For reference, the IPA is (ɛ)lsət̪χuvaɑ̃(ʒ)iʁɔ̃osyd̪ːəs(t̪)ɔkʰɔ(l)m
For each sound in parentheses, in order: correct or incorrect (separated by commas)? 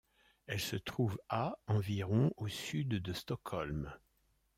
correct, incorrect, correct, correct